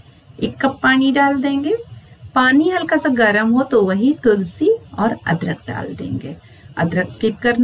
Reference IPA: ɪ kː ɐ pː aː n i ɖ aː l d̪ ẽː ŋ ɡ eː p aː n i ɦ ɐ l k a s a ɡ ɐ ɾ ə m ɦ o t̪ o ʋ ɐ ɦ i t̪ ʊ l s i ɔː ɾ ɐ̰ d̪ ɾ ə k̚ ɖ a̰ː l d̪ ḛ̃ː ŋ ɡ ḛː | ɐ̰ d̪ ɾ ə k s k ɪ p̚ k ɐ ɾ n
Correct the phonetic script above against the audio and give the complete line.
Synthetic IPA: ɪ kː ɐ pː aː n i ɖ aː l d̪ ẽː ŋ ɡ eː p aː n i ɦ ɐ l k a s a ɡ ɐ ɾ ə m ɦ o t̪ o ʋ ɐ ɦ i t̪ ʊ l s i ɔː ɾ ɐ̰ d̪ ɾ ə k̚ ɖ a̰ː l d̪ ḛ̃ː ŋ ɡ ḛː | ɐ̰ d̪ ɾ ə k s k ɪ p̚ k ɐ ɾ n